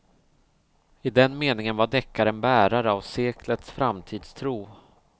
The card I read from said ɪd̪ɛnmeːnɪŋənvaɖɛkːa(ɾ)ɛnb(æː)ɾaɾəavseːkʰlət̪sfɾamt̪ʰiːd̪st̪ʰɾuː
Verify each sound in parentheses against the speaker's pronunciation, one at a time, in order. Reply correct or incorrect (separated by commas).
correct, correct